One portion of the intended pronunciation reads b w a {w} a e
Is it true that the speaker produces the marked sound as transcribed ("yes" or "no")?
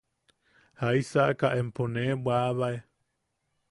no